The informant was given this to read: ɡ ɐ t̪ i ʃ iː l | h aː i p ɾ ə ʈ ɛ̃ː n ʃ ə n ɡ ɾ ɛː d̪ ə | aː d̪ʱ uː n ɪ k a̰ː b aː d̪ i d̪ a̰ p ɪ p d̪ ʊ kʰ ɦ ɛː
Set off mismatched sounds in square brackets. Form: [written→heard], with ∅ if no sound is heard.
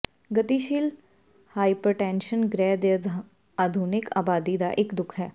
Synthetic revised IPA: ɡ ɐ t̪ i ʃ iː l | h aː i p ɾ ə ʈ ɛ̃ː n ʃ ə n ɡ ɾ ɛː d̪ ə | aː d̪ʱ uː n ɪ k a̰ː b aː d̪ i d̪ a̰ [p→ʔ] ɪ [p→k] d̪ ʊ kʰ ɦ ɛː

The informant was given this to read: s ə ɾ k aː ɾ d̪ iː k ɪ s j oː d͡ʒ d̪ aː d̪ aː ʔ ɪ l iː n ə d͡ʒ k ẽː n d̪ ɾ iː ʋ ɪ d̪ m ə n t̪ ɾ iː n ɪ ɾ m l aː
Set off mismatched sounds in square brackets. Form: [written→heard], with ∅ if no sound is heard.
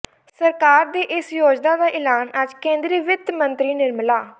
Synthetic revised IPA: s ə ɾ k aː ɾ d̪ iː [k→ʔ] ɪ s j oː d͡ʒ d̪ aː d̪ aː ʔ ɪ l [iː→aː] n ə d͡ʒ k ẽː n d̪ ɾ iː ʋ ɪ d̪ m ə n t̪ ɾ iː n ɪ ɾ m l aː

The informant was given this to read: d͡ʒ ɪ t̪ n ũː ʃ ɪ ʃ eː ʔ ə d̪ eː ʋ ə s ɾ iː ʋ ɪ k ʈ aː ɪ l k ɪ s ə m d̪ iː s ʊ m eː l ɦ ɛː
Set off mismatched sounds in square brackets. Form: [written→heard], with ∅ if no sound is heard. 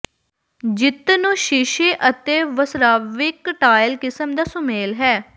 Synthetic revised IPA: d͡ʒ ɪ t̪ n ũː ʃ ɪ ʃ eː ʔ ə [d̪→t̪] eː ʋ ə s ɾ [iː→aː] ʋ ɪ k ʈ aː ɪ l k ɪ s ə m d̪ [iː→aː] s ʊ m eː l ɦ ɛː

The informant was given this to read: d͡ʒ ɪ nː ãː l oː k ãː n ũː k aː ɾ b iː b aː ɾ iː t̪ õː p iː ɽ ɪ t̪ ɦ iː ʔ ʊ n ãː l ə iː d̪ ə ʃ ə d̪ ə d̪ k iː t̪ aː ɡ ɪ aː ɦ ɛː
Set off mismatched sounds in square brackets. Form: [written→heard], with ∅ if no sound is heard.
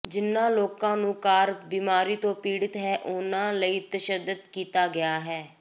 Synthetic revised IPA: d͡ʒ ɪ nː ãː l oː k ãː n ũː k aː ɾ b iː [b→m] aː ɾ iː t̪ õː p iː ɽ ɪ t̪ ɦ [iː→ɛː] ʔ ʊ n ãː l ə iː [d̪→t̪] ə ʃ ə d̪ ə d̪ k iː t̪ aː ɡ ɪ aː ɦ ɛː

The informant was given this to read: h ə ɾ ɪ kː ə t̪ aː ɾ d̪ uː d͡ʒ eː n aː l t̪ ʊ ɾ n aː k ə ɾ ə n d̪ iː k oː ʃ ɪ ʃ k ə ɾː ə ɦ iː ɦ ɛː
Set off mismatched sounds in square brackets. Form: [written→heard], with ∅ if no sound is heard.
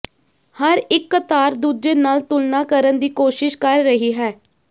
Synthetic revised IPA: h ə ɾ ɪ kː ə t̪ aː ɾ d̪ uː d͡ʒ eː n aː l t̪ ʊ [ɾ→l] n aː k ə ɾ ə n d̪ iː k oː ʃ ɪ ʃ k ə ɾː ə ɦ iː ɦ ɛː

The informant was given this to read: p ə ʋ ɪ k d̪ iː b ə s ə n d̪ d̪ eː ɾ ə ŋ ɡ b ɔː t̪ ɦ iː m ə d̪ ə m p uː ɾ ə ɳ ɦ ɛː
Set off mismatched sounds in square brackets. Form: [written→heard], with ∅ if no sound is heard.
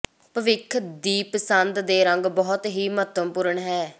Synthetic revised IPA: p ə ʋ ɪ [k→kʰ] d̪ iː [b→p] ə s ə n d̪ d̪ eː ɾ ə ŋ ɡ b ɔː t̪ ɦ iː m ə [d̪→t̪] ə m p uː ɾ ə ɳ ɦ ɛː

